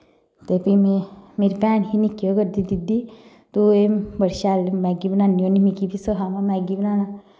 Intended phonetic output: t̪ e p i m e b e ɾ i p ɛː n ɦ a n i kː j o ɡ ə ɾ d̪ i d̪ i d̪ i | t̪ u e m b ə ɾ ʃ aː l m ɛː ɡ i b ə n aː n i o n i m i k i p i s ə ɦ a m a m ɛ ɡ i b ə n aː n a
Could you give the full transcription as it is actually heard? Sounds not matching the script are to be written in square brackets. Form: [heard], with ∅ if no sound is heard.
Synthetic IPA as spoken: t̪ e p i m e [m] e ɾ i p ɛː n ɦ [i] n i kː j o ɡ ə ɾ d̪ i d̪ i d̪ i | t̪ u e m b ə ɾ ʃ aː l m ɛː ɡ i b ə n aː n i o n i m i k i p i s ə ɦ a m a m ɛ ɡ i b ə n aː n a